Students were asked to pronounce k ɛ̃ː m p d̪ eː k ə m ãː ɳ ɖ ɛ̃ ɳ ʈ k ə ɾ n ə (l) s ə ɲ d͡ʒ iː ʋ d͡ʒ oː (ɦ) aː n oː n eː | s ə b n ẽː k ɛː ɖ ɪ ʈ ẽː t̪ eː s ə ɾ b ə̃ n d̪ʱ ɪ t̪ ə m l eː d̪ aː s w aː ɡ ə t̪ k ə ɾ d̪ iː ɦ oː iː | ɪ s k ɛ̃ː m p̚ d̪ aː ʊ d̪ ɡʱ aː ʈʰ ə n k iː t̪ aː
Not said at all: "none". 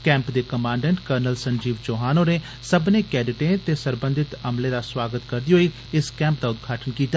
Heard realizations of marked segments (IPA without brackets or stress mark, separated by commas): l, ɦ